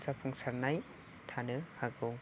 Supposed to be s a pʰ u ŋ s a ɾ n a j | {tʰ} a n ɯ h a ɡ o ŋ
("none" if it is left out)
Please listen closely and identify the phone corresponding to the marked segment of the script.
tʰ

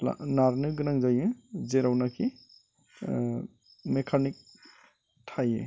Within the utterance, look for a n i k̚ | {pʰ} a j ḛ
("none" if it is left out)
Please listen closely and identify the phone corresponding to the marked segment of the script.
tʰ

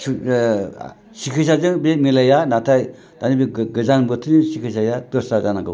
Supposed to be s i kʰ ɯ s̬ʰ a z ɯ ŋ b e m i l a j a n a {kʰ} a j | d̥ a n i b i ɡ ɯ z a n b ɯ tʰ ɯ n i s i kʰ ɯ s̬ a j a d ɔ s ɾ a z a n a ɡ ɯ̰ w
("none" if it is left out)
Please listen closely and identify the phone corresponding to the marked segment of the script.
tʰ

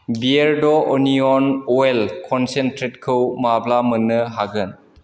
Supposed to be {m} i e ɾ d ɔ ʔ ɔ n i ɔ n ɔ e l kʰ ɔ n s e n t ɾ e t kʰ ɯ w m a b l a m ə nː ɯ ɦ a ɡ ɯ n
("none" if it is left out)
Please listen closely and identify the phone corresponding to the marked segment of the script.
b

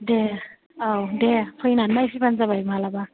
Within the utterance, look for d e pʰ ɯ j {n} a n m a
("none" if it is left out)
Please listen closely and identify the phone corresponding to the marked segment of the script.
n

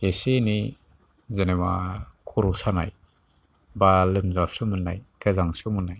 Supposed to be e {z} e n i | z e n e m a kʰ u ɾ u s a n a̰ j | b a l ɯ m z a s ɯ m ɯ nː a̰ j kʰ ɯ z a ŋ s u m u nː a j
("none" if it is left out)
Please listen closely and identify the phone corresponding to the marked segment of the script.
s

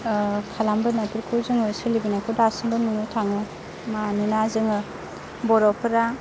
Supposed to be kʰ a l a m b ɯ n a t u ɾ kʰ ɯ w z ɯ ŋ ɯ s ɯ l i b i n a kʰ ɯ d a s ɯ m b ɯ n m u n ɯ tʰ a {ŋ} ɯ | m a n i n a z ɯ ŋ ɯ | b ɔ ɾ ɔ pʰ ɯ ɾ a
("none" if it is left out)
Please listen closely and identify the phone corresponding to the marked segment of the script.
ŋ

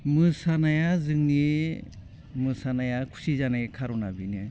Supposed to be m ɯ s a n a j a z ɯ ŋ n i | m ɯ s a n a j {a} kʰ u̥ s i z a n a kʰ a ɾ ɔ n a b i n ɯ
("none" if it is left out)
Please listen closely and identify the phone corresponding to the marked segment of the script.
a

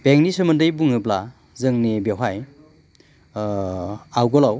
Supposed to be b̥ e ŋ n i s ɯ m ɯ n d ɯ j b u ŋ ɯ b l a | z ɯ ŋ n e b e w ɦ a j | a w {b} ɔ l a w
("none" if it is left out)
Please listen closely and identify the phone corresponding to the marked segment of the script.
ɡ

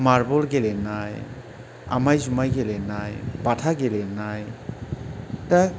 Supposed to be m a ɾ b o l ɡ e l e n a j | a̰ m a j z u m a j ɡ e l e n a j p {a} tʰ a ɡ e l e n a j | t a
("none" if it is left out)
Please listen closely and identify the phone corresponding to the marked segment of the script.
a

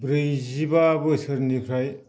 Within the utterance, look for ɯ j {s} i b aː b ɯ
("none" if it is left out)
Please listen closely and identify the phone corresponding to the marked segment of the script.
z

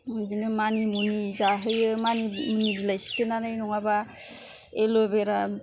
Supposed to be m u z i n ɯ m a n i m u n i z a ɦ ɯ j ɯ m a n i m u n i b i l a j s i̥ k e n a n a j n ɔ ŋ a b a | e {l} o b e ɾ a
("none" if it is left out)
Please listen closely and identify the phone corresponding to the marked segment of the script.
l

